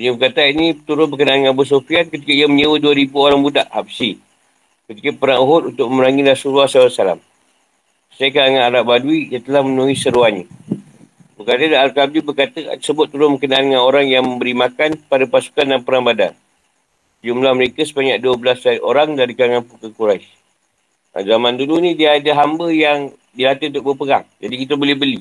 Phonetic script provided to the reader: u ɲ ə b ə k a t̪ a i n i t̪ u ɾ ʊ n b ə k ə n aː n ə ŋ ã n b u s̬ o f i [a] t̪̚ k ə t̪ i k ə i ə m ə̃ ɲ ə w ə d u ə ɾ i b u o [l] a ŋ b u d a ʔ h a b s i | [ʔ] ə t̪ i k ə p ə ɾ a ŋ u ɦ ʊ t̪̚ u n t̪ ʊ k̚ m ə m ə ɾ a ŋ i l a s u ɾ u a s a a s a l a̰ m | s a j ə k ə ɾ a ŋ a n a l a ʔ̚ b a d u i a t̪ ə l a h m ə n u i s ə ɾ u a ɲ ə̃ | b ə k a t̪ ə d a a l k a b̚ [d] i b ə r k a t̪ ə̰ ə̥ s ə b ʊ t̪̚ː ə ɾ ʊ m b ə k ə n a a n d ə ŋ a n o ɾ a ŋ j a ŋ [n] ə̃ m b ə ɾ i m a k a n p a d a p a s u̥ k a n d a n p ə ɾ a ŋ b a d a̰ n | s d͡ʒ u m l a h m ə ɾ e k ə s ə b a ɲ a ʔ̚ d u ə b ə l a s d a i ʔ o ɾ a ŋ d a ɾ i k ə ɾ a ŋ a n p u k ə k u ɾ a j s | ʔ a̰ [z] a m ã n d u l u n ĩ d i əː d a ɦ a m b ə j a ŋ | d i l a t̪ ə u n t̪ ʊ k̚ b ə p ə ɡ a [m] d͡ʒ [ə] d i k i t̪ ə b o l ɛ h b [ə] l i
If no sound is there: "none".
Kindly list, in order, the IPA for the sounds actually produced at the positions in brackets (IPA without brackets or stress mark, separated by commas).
a, ɾ, k, d, m, z, ŋ, a, ə